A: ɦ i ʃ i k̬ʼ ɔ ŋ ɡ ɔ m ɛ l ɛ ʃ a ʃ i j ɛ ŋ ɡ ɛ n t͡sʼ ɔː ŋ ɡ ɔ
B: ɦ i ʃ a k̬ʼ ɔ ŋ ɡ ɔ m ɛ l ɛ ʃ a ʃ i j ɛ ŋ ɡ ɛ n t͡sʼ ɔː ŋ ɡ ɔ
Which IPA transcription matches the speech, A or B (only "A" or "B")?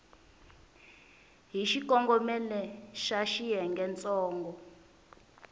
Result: A